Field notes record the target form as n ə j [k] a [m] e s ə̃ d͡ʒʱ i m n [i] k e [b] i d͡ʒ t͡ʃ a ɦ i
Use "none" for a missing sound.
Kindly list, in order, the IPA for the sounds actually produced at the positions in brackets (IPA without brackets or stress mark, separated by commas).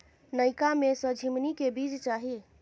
k, m, i, b